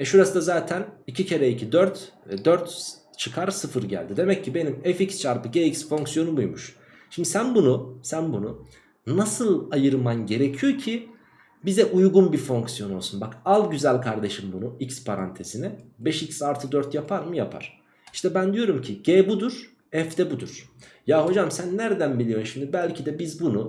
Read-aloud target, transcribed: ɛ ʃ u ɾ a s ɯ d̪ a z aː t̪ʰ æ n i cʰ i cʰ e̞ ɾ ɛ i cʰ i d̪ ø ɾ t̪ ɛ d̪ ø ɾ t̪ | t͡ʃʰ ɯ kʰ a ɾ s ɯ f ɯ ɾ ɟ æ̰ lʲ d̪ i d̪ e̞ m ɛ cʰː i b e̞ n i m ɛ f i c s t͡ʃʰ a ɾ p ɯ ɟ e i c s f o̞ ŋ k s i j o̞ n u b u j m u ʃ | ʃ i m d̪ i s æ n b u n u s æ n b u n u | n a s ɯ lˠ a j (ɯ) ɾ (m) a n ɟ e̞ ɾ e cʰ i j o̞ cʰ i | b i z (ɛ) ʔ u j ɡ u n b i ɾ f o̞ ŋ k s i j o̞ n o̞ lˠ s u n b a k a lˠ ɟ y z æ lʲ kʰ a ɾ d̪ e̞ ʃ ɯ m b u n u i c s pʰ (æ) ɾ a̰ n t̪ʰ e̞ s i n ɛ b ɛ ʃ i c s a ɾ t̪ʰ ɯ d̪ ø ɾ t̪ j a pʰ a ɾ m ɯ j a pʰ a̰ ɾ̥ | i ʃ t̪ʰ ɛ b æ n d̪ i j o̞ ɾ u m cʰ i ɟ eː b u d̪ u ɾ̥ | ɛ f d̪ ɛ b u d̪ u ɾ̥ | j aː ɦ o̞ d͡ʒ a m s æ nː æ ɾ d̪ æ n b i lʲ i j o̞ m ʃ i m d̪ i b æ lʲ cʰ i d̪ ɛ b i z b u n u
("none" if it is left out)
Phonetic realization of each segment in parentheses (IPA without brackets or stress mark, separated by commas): ɯ, m, ɛ, a